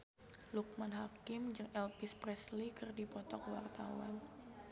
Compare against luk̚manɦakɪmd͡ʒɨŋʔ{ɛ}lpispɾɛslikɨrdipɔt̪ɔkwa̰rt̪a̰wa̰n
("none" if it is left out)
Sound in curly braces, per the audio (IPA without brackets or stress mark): ɛ